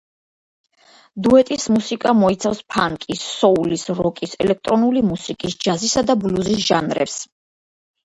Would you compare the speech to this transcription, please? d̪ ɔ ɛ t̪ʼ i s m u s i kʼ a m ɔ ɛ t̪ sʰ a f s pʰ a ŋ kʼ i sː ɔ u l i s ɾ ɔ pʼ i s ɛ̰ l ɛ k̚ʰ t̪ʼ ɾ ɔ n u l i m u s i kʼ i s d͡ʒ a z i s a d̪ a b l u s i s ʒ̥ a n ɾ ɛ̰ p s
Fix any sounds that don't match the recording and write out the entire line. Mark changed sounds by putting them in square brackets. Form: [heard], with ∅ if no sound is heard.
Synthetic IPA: d̪ [u] ɛ t̪ʼ i s m u s i kʼ a m ɔ [i] t̪ sʰ a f s pʰ a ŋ kʼ i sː ɔ u l i s ɾ ɔ [kʼ] i s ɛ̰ l ɛ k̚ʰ t̪ʼ ɾ ɔ n u l i m u s i kʼ i s d͡ʒ a z i s a d̪ a b l u [z] i s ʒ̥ a n ɾ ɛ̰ p s